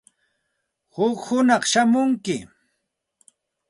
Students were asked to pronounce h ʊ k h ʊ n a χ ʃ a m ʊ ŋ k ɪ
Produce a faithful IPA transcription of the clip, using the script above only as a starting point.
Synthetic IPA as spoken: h ʊ k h ʊ n ɑ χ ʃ a m ʊ ŋ k ɪ